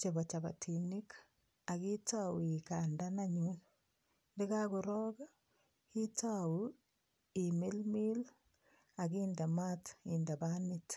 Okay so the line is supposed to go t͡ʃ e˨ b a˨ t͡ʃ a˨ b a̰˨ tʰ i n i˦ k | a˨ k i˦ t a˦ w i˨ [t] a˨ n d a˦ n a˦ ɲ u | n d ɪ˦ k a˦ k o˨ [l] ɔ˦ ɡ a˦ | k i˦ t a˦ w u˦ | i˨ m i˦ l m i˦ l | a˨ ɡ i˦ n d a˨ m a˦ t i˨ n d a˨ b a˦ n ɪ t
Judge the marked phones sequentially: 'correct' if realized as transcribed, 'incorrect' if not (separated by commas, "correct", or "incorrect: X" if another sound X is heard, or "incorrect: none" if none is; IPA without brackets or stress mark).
incorrect: k, incorrect: ɾ